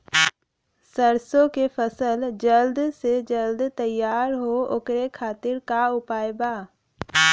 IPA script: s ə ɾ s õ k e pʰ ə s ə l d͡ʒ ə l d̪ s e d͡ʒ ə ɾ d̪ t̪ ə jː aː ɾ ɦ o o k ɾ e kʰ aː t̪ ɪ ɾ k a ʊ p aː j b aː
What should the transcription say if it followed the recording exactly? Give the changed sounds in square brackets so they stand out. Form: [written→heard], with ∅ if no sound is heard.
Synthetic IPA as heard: s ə ɾ s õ k e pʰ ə s ə l d͡ʒ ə l d̪ s e d͡ʒ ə [ɾ→l] d̪ t̪ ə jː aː ɾ ɦ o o k ɾ e kʰ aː t̪ ɪ ɾ k a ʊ p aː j b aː